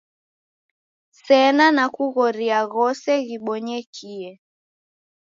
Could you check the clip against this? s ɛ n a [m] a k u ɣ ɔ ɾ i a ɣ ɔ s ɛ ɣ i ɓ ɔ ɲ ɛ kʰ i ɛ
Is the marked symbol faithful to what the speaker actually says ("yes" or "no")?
no